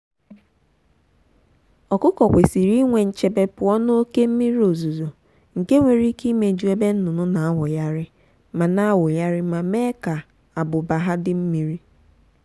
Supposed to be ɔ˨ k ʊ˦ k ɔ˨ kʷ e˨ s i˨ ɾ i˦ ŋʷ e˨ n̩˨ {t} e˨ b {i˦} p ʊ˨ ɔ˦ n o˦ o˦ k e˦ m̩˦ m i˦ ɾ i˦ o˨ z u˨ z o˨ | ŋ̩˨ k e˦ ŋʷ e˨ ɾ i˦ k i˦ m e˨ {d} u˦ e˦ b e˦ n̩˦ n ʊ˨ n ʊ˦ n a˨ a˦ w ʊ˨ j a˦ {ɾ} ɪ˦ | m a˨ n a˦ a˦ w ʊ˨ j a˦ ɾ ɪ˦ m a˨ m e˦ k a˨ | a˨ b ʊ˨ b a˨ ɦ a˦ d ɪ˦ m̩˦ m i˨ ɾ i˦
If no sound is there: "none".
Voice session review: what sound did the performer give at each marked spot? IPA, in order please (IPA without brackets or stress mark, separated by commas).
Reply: t͡ʃ, e˦, d͡ʒ, ɾ